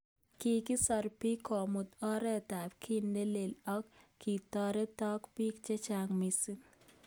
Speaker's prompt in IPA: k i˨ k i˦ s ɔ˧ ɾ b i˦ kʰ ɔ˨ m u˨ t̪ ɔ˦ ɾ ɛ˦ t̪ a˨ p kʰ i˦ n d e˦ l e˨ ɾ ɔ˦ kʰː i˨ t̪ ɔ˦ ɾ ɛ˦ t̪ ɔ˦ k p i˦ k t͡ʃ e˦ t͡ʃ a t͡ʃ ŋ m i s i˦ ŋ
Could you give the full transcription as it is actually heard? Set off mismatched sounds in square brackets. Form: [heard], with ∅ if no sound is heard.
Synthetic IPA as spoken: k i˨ k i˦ s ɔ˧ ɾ [p] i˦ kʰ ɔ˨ m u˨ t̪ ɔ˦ ɾ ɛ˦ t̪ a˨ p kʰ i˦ n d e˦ l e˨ [l] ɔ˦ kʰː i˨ t̪ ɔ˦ ɾ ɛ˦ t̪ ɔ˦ k p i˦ k t͡ʃ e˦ t͡ʃ a [∅] ŋ m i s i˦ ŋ